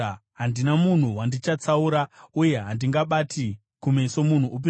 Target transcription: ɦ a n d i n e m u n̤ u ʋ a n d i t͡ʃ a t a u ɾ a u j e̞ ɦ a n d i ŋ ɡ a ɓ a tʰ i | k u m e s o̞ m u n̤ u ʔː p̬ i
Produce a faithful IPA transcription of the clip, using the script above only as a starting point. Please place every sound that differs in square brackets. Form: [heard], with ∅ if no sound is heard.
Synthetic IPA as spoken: ɦ a n d i n [a] m u n̤ u [w] a n d i t͡ʃ a [t͡s] a u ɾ a u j e̞ ɦ a n d i ŋ ɡ a ɓ a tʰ i | k u m e s o̞ m u n̤ u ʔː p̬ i